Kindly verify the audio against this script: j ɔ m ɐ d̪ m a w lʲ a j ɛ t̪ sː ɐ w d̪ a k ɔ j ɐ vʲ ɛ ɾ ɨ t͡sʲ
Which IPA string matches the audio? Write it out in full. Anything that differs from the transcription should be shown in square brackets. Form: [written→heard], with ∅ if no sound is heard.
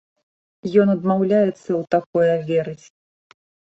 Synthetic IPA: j ɔ [m→n] ɐ d̪ m a w lʲ a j ɛ t̪ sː ɐ w [d̪→t̪] a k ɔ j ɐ vʲ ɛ ɾ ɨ t͡sʲ